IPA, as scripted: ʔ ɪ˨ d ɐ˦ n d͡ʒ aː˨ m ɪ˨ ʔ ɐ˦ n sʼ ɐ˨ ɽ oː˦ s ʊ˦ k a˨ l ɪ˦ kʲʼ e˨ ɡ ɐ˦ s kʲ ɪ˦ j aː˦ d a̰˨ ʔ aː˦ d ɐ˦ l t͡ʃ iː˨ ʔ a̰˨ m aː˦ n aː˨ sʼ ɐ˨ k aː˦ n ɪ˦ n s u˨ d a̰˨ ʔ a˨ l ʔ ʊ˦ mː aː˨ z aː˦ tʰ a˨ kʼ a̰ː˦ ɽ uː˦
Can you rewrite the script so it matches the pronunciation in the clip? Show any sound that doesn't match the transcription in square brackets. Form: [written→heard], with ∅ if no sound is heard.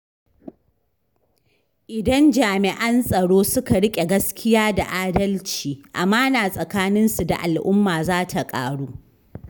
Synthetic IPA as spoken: ʔ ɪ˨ d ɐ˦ n d͡ʒ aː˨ m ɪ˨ ʔ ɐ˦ n sʼ ɐ˨ ɽ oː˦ s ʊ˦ k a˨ [l→ɽ] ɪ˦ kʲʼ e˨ ɡ ɐ˦ s kʲ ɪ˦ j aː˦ d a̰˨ ʔ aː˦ d ɐ˦ l t͡ʃ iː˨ ʔ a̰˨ m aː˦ n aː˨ sʼ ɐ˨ k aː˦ n ɪ˦ n s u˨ d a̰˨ ʔ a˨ l ʔ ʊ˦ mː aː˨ z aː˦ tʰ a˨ kʼ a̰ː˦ ɽ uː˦